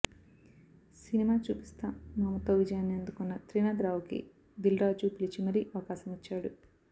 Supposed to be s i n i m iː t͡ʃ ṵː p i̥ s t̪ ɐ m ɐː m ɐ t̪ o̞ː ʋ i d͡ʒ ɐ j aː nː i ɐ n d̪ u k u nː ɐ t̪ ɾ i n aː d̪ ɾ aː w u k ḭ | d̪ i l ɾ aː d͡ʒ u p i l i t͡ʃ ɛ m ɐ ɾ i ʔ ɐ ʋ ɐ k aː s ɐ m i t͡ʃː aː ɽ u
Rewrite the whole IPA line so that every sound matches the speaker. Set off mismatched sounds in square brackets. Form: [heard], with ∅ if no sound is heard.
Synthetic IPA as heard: s i n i m [aː] t͡ʃ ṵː p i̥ s t̪ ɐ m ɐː m ɐ t̪ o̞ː ʋ i d͡ʒ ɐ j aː nː i ɐ n d̪ u k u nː ɐ t̪ ɾ i n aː d̪ ɾ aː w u k ḭ | d̪ i l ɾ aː d͡ʒ u p i l i t͡ʃ [i] m ɐ ɾ i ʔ ɐ ʋ ɐ k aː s ɐ m i t͡ʃː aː ɽ u